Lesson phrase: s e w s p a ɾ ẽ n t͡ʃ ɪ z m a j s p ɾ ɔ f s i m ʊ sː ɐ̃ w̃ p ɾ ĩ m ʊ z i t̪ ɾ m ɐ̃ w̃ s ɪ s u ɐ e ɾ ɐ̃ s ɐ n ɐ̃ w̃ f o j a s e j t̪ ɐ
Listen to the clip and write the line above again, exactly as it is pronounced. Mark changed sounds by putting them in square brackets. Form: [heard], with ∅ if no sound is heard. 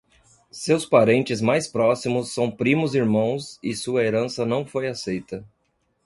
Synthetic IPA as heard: s e w s p a ɾ ẽ n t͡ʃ ɪ z m a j s p ɾ ɔ [∅] s i m ʊ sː ɐ̃ w̃ p ɾ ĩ m ʊ z i [∅] ɾ m ɐ̃ w̃ s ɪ s u ɐ e ɾ ɐ̃ s ɐ n ɐ̃ w̃ f o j a s e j t̪ ɐ